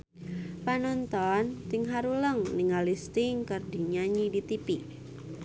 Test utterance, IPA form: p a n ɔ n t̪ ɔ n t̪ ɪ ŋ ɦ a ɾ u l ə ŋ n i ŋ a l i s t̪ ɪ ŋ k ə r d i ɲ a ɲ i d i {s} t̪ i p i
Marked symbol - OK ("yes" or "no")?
no